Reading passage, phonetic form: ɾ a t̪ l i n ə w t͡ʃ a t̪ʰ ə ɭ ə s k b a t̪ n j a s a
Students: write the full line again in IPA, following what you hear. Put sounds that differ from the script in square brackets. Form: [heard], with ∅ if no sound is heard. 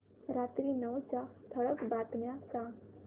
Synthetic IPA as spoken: ɾ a t̪ [ɾ] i n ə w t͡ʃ a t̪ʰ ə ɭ ə [∅] k b a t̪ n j a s a